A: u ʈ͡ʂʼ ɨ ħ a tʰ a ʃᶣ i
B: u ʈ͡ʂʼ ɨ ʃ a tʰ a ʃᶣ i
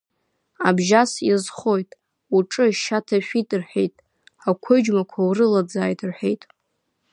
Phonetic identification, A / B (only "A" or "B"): B